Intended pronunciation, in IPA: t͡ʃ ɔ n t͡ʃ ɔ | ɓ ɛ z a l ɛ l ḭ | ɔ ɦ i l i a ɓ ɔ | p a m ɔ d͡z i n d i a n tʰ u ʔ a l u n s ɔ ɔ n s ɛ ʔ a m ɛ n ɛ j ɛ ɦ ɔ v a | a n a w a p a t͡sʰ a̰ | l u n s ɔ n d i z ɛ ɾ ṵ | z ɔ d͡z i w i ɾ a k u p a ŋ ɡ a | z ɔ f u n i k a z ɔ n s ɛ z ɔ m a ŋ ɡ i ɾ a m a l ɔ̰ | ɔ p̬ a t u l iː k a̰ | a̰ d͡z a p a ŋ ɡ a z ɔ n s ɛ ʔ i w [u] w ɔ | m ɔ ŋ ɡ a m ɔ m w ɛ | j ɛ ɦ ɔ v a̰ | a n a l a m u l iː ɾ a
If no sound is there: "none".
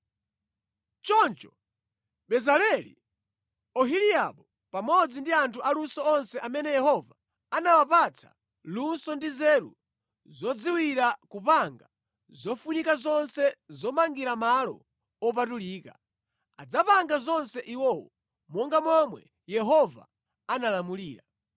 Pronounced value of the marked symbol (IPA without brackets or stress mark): ɔ